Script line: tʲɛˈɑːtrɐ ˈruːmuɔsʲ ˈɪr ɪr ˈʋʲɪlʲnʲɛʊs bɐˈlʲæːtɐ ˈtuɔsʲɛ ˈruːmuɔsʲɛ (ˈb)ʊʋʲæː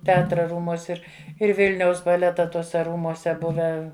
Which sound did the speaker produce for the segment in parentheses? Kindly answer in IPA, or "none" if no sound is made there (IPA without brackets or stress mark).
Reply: b